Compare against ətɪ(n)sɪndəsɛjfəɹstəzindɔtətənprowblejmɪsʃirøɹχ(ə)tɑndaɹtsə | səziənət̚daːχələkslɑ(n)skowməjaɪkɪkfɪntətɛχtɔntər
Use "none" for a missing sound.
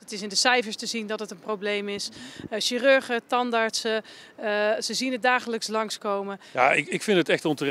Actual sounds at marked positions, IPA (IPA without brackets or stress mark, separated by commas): none, ə, ŋ